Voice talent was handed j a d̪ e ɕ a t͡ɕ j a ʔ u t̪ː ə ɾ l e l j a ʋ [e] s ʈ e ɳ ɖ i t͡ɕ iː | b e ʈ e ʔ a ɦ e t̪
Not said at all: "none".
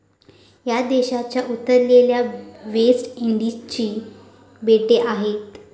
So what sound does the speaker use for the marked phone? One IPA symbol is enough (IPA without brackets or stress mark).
e